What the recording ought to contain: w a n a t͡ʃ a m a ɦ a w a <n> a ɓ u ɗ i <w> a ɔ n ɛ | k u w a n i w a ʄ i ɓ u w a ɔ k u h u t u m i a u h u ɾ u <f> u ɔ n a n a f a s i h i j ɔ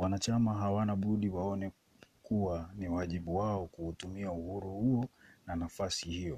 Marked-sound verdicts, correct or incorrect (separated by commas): correct, correct, incorrect